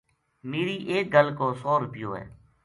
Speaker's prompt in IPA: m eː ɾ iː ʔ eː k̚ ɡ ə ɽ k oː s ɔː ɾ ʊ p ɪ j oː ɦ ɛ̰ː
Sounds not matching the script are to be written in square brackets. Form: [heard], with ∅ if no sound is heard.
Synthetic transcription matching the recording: m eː ɾ iː ʔ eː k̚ ɡ ə [l] k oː s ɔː ɾ ʊ p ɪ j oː ɦ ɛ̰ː